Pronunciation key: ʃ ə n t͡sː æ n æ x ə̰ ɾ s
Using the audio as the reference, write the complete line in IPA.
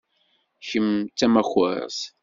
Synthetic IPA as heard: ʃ ə m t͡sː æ m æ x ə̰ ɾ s